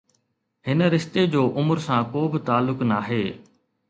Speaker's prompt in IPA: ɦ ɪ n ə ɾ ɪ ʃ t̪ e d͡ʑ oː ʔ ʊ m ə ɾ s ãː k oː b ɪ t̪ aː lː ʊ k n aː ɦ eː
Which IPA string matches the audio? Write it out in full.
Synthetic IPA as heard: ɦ ɪ n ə ɾ ɪ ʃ t̪ e d͡ʑ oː ʔ ʊ m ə ɾ s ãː k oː b ɪ t̪ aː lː ʊ k n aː ɦ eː